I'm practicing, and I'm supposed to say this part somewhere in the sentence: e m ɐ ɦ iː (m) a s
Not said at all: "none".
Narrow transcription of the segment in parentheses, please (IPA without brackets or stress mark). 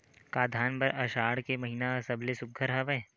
n